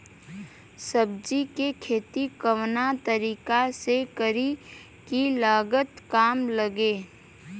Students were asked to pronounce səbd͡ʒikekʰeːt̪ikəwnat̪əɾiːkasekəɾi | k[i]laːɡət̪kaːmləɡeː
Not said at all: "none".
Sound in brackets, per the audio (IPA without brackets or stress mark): i